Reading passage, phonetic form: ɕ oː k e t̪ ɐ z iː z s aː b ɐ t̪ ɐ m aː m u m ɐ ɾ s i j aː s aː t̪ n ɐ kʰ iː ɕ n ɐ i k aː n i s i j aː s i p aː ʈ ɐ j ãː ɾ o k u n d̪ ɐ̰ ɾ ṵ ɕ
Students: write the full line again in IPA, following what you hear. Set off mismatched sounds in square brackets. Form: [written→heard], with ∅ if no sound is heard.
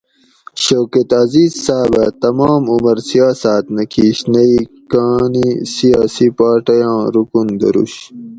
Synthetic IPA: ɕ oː k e t̪ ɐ z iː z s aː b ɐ t̪ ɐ m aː m u m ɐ ɾ s i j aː s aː t̪ n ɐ kʰ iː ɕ n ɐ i k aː n i s i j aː s i p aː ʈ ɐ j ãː ɾ [o→u] k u n d̪ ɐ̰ ɾ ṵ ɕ